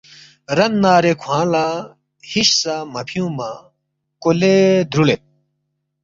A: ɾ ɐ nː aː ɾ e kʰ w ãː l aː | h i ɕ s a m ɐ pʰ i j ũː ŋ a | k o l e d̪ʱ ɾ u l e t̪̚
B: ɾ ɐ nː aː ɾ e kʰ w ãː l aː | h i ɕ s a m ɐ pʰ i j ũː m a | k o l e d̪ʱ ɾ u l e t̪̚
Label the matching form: B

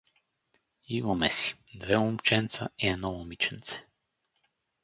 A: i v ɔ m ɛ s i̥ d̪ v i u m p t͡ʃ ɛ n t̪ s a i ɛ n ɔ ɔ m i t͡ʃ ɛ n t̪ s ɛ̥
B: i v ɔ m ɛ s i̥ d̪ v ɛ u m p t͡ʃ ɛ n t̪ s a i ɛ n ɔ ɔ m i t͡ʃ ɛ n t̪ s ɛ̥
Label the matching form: B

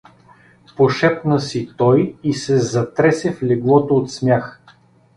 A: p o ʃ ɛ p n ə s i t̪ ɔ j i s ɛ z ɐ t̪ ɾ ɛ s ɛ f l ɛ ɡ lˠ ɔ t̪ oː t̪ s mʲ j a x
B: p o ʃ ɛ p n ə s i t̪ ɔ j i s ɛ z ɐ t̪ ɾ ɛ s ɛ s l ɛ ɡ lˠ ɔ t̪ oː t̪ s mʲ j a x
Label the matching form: A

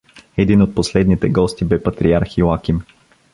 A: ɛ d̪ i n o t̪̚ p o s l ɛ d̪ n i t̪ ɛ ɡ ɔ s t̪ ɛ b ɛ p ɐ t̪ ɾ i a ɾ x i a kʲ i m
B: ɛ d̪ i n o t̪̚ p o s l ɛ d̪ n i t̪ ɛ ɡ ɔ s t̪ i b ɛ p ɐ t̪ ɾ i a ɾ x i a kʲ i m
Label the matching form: B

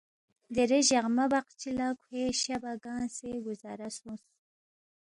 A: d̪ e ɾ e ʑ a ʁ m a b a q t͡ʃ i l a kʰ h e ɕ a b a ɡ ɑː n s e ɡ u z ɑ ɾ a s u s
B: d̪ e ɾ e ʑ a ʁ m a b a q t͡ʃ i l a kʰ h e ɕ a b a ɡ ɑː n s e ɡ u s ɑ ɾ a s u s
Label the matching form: A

